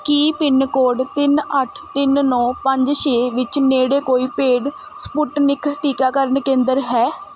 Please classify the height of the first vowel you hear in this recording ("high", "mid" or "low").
high